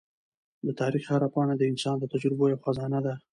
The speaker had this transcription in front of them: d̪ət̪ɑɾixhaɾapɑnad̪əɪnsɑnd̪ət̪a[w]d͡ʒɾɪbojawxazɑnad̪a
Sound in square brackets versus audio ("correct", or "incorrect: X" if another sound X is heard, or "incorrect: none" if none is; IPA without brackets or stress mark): incorrect: none